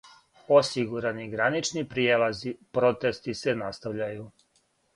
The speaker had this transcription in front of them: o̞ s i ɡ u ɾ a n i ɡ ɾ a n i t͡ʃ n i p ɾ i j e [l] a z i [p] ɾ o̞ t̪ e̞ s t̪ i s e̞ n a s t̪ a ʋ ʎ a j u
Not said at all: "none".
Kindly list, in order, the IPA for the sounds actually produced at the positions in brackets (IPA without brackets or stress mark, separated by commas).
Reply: l, p